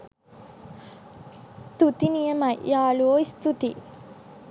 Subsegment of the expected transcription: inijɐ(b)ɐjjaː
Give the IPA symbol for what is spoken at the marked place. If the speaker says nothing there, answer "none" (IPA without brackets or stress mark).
m